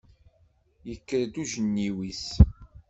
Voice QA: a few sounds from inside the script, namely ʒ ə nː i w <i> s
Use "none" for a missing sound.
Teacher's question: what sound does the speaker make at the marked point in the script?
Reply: i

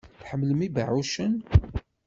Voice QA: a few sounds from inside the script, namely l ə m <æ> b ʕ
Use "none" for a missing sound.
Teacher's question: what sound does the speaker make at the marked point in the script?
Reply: i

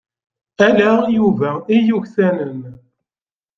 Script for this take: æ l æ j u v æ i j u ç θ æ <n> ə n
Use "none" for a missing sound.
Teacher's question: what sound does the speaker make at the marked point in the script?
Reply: n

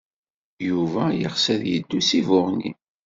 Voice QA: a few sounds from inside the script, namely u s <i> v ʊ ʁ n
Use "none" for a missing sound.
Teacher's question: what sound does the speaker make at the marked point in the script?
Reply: i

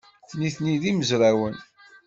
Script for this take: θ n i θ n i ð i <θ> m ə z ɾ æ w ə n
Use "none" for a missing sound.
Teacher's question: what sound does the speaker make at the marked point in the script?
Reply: none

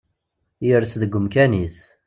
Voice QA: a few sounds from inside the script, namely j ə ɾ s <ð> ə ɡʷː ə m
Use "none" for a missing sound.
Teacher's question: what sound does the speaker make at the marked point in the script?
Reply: ð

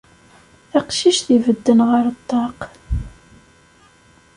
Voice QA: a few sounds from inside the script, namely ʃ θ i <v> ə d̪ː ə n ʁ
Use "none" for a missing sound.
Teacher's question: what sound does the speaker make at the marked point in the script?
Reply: v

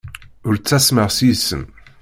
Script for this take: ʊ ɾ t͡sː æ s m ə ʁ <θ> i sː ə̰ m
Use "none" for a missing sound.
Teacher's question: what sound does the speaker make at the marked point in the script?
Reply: s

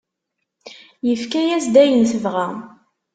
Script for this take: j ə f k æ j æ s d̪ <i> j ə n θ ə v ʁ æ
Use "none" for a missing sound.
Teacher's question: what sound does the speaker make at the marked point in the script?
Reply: æ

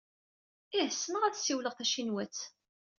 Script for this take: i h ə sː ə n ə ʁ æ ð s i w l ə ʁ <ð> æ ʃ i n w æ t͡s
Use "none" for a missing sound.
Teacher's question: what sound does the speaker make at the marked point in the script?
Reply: θ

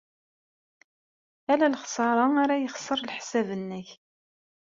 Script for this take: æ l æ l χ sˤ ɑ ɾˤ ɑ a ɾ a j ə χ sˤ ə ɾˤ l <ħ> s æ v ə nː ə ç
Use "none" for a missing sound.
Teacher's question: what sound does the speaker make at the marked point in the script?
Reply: ħ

